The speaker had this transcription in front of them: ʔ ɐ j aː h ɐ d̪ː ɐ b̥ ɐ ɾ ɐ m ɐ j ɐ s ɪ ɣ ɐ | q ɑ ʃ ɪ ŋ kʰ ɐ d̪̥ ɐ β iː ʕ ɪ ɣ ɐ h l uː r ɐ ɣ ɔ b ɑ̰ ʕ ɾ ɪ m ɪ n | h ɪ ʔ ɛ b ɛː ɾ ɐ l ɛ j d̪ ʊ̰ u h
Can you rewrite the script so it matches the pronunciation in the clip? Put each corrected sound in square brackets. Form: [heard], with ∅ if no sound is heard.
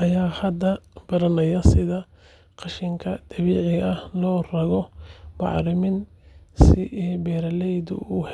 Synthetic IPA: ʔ ɐ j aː h ɐ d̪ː ɐ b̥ ɐ ɾ ɐ [n] ɐ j ɐ s ɪ [ð] ɐ | q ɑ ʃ ɪ ŋ kʰ ɐ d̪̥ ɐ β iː ʕ ɪ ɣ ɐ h l [ɔː] r ɐ ɣ ɔ b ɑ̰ ʕ ɾ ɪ m ɪ n | [s] ɪ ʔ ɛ b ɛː ɾ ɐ l ɛ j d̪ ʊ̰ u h